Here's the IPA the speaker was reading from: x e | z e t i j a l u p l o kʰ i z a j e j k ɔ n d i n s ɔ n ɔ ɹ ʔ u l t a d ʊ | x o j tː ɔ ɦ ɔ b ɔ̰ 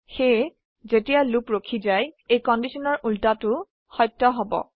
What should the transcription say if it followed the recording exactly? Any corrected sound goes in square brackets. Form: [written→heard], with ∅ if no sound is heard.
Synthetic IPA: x e | z e t i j a l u p [l→ɹ] o kʰ i z a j e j k ɔ n d i [n→∅] s ɔ n ɔ ɹ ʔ u l t a [d→t] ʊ | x [o→ɔ] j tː ɔ ɦ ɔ b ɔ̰